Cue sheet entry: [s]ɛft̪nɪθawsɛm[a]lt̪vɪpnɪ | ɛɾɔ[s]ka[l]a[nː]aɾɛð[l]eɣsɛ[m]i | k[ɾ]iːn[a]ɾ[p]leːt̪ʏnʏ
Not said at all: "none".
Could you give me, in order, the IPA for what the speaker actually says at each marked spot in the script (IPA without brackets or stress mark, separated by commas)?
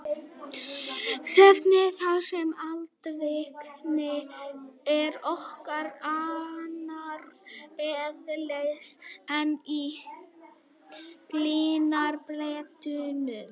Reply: s, a, h, ɾ, n, l, n, l, a, p